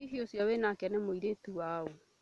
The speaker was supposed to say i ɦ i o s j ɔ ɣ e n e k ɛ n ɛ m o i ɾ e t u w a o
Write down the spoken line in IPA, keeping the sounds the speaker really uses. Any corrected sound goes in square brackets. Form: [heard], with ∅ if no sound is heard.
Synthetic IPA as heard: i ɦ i o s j ɔ [w] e n [a] k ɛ n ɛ m o i ɾ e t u w a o